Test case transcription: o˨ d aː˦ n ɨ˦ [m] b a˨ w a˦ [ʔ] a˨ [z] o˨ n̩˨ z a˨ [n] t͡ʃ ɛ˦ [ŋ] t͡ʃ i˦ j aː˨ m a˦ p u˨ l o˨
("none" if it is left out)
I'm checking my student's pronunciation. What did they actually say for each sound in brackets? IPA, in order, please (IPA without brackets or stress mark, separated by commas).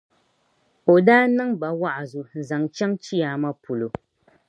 ŋ, ʔ, z, ŋ, ŋ